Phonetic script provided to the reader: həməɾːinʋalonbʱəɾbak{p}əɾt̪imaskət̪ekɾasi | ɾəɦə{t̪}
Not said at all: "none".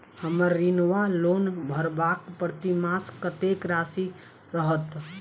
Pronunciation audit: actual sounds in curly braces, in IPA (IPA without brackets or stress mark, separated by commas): p, t̪